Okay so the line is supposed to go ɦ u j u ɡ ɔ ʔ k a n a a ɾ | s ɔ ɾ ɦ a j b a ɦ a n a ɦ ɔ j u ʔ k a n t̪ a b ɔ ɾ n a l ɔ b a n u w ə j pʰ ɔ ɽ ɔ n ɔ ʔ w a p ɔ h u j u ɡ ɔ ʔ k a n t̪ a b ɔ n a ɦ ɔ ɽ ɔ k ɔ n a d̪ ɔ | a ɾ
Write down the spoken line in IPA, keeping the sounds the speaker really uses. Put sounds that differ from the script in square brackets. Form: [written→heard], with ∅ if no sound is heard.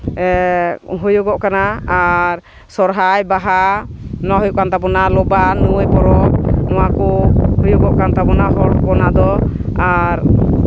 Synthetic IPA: ɦ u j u ɡ ɔ ʔ k a n a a ɾ | s ɔ ɾ ɦ a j b a ɦ a n a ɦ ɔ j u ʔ k a n t̪ a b ɔ [ɾ→∅] n a l ɔ b a n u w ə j [pʰ→p] ɔ [ɽ→ɾ] ɔ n ɔ [ʔ→∅] w a [p→k] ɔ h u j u ɡ ɔ ʔ k a n t̪ a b ɔ n a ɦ ɔ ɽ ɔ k ɔ n a d̪ ɔ | a ɾ